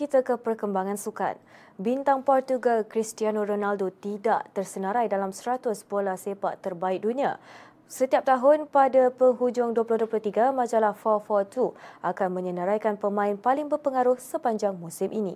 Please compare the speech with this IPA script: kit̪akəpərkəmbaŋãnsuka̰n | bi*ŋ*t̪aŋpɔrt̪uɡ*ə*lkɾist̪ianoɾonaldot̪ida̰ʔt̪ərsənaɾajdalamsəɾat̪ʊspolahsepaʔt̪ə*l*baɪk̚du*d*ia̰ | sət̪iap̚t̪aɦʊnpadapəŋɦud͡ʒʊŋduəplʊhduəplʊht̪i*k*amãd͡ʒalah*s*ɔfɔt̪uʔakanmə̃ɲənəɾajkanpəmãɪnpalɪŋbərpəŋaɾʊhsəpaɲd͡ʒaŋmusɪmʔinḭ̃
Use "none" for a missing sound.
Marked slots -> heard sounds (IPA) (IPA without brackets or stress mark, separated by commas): n, a, r, n, ɡ, f